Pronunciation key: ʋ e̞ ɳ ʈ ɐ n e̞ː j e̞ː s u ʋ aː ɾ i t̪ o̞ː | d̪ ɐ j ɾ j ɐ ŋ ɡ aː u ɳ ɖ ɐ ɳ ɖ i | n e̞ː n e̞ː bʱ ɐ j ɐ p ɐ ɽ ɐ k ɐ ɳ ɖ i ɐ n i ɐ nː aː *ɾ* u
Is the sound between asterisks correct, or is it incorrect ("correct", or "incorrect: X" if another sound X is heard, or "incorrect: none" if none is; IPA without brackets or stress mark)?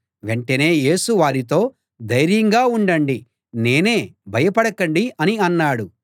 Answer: incorrect: ɽ